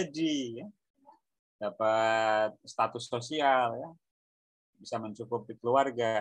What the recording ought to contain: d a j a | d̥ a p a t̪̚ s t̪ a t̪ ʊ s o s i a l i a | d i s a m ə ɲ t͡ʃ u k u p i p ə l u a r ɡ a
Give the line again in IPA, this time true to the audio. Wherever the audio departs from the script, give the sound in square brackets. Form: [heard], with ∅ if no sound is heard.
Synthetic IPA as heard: d [i] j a | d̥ a p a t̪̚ s t̪ a t̪ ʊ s o s i a l [j] a | [b] i s a m ə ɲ t͡ʃ u k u p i [k] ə l u a r ɡ a